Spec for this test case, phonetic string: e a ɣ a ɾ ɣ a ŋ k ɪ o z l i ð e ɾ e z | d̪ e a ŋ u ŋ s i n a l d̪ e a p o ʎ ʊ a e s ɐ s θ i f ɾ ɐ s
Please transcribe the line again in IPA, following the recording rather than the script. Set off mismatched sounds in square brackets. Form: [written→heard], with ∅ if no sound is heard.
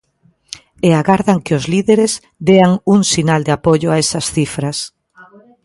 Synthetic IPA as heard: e a ɣ a ɾ [ɣ→ð] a ŋ k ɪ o z l i ð e ɾ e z | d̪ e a ŋ u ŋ s i n a l d̪ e a p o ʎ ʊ a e s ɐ s θ i f ɾ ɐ s